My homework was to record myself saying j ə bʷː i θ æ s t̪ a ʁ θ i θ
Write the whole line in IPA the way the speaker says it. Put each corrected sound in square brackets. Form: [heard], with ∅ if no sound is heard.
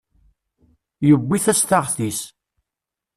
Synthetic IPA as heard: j ə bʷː i θ æ s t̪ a ʁ θ i [s]